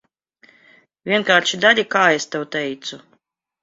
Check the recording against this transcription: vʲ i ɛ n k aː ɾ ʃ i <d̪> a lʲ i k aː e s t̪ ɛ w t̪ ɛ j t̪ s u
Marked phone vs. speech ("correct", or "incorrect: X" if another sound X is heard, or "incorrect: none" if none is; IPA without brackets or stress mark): correct